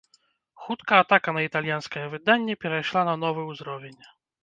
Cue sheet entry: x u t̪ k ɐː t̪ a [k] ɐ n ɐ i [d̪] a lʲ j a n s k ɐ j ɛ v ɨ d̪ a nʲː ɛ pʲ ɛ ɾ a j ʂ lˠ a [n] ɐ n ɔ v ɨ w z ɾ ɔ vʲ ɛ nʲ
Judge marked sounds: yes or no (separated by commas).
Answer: yes, no, yes